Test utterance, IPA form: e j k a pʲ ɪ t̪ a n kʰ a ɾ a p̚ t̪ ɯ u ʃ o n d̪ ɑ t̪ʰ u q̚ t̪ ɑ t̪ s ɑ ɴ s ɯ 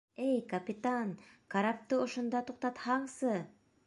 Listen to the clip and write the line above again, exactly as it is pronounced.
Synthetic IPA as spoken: e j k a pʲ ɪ t̪ a n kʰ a ɾ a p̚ t̪ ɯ o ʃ o n d̪ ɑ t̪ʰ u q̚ t̪ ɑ t̪ h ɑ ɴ s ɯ